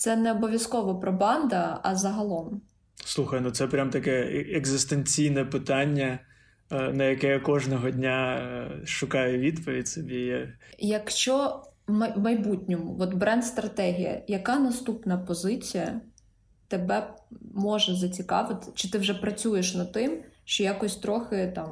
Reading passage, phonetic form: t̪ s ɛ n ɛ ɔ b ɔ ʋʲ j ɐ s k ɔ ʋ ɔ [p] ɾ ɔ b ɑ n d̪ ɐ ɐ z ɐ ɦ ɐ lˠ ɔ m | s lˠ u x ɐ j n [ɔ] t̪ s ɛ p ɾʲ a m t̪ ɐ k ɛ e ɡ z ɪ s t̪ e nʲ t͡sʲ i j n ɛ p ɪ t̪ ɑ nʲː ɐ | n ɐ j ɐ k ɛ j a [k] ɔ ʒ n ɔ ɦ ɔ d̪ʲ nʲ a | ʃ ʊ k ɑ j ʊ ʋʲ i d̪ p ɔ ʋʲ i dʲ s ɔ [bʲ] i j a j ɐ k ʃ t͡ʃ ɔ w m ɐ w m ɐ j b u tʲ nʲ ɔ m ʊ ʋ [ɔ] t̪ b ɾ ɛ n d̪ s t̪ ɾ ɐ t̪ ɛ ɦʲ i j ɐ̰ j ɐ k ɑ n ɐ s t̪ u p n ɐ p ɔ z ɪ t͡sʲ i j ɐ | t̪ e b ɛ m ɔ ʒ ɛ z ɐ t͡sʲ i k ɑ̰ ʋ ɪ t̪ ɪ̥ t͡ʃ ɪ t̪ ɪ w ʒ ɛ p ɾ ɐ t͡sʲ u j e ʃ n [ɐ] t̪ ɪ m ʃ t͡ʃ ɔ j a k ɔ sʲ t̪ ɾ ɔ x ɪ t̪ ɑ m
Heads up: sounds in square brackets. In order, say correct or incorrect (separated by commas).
correct, incorrect, correct, correct, correct, correct